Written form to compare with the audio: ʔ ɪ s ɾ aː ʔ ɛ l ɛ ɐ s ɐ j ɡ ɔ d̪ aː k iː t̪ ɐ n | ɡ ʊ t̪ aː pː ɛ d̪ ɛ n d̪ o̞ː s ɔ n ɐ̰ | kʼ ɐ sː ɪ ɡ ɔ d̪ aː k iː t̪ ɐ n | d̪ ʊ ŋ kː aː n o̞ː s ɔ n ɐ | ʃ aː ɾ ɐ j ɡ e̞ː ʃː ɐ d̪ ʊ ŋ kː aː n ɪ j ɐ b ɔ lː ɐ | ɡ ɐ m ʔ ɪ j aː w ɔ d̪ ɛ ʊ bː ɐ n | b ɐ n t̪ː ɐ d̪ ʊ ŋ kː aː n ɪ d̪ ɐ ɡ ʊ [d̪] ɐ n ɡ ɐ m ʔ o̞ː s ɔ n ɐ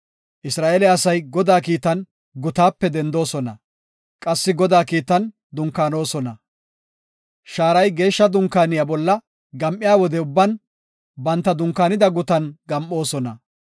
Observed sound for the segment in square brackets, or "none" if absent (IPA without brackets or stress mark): t̪